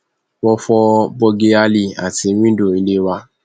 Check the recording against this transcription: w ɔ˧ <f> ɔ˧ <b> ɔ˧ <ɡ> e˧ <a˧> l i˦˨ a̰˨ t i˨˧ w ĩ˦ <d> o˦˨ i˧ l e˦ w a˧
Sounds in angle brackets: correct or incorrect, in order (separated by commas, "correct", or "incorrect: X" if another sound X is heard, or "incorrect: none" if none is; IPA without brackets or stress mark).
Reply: correct, correct, correct, correct, correct